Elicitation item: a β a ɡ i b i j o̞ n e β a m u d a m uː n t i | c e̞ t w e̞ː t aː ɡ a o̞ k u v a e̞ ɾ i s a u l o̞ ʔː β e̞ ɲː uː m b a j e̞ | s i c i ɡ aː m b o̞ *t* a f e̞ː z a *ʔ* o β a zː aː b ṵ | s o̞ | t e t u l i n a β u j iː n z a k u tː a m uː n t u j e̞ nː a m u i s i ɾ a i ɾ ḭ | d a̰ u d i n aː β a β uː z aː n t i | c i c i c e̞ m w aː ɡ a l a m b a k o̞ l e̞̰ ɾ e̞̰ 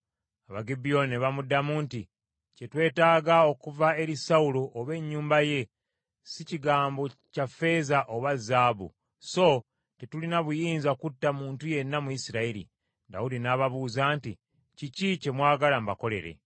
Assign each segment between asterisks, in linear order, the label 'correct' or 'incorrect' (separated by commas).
incorrect, correct